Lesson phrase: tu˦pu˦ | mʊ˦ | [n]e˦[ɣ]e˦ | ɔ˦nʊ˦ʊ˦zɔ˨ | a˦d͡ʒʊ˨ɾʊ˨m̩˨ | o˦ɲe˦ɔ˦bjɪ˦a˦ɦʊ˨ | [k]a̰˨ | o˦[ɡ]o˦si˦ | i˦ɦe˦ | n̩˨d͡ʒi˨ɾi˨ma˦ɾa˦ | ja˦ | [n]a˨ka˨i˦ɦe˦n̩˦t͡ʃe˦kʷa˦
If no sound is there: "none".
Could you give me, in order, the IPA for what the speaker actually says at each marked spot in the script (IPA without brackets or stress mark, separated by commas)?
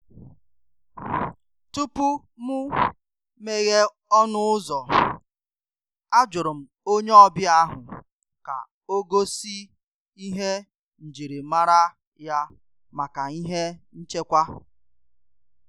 m, ɣ, k, ɡ, m